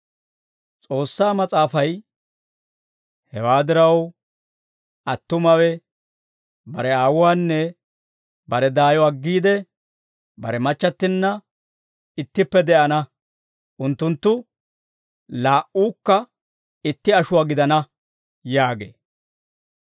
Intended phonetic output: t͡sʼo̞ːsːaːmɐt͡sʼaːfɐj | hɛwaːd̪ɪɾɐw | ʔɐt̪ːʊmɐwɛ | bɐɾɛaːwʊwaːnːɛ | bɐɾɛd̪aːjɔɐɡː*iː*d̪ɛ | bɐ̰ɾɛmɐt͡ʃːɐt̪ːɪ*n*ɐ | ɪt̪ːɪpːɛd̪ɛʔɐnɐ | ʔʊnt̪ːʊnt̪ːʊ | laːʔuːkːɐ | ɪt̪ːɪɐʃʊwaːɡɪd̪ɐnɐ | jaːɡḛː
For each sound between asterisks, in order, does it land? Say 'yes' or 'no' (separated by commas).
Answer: yes, no